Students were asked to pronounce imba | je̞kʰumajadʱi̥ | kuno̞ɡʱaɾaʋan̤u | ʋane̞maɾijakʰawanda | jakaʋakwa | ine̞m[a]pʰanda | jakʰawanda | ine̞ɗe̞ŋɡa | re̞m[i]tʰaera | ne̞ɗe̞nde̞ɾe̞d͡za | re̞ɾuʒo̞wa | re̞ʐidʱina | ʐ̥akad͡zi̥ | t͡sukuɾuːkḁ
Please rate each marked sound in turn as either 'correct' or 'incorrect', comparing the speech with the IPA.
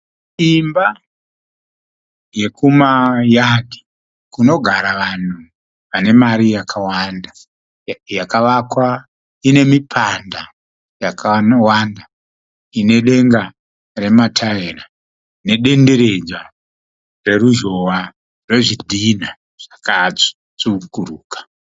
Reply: incorrect: i, incorrect: a

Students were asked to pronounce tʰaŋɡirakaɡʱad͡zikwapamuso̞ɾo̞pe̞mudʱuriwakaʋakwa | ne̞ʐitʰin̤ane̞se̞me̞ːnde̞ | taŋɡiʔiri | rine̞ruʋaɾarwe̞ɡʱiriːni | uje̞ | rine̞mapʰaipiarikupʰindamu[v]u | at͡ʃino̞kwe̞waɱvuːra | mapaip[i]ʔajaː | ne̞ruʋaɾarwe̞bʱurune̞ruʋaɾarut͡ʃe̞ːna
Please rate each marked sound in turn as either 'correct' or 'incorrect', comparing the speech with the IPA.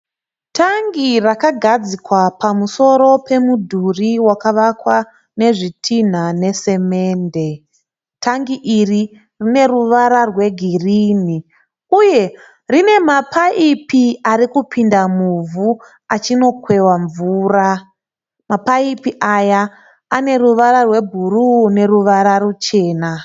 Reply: correct, correct

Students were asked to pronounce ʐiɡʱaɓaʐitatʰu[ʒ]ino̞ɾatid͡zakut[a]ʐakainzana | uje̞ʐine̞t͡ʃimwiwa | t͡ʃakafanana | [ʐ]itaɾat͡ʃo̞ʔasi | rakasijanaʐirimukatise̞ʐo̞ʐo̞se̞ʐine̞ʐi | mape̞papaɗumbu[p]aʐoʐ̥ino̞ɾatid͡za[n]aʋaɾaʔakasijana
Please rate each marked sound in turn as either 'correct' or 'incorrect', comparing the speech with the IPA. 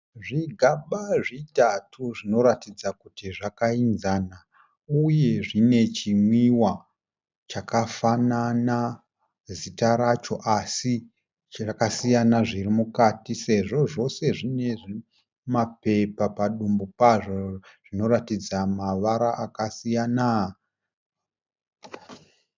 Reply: incorrect: ʐ, incorrect: i, incorrect: z, correct, incorrect: m

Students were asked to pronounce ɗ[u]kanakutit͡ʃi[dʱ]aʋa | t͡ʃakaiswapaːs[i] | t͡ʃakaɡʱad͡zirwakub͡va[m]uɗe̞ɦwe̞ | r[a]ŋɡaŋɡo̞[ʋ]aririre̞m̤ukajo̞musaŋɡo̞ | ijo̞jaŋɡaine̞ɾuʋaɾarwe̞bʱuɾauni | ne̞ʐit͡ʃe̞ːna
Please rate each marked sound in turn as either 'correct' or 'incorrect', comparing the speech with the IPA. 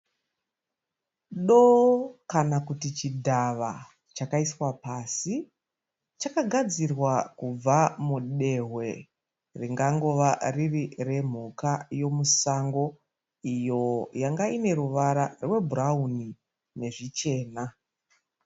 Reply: incorrect: o, correct, correct, correct, incorrect: i, correct

